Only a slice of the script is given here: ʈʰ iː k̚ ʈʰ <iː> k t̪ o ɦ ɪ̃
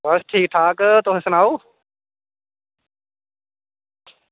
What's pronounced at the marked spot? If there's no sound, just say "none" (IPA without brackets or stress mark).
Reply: aː